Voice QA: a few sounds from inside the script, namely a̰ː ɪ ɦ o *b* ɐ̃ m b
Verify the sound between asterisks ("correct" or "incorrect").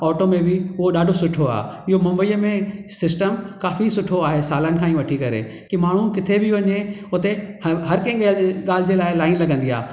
incorrect